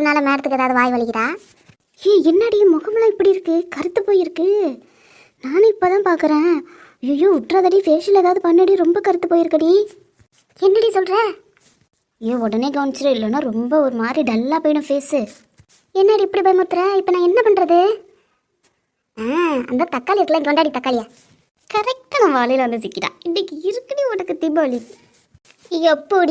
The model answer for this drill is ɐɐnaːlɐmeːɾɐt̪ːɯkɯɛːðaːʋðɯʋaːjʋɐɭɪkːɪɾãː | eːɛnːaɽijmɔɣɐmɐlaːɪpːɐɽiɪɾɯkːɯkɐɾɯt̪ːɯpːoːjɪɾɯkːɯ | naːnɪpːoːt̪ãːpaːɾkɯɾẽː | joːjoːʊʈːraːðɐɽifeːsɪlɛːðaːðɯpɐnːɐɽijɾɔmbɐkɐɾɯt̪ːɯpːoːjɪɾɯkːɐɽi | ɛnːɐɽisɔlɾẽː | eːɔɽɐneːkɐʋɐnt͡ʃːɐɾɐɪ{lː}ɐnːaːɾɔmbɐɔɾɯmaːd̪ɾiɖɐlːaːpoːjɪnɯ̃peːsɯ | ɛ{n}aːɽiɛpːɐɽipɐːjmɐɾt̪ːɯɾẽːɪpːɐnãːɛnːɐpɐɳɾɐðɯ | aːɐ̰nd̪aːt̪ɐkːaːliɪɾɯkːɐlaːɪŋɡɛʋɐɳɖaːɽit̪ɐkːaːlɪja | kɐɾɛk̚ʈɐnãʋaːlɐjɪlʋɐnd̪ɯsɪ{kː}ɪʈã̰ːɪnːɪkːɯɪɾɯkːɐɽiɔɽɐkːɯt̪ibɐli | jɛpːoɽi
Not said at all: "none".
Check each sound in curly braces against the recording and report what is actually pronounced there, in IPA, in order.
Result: lː, nː, kː

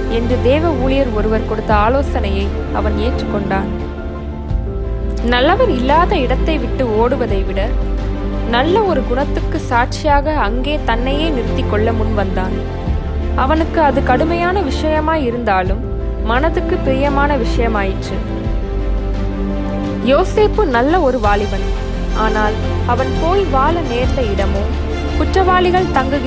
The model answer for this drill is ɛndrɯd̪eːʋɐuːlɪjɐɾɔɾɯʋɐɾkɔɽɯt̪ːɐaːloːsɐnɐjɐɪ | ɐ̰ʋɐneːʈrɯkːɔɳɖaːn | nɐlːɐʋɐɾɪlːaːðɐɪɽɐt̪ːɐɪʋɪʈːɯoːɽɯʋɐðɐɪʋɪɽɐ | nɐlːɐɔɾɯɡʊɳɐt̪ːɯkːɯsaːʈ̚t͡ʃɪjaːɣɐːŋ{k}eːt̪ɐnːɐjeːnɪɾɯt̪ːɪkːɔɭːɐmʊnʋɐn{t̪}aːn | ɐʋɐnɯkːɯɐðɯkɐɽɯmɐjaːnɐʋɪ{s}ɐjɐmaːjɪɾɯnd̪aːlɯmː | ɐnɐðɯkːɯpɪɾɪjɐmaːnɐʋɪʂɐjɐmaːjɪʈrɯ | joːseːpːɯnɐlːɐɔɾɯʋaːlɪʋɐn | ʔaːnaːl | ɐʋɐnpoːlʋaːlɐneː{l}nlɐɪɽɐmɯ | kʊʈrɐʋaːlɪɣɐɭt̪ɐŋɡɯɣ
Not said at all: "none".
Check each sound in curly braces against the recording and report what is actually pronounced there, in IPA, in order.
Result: ɡ, d̪, ʂ, ɾ

